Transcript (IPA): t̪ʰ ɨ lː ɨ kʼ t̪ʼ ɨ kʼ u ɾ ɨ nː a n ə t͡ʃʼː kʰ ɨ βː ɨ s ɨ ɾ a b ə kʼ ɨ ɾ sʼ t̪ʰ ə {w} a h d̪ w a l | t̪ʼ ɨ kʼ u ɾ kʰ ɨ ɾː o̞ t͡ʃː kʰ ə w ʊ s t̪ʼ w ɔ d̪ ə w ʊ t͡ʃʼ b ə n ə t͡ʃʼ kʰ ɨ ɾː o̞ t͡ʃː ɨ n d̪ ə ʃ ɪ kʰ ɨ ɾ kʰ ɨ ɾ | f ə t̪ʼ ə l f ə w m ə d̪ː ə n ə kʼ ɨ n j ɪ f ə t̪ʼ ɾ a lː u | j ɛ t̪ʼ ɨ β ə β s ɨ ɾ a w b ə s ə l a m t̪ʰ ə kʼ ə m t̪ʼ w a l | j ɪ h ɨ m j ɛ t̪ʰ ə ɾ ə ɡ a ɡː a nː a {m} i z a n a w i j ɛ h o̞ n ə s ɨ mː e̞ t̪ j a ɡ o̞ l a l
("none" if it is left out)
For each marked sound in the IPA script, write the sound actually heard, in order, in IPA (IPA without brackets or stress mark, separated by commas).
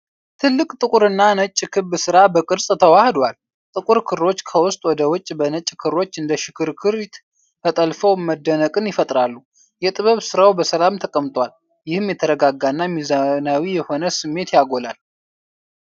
w, m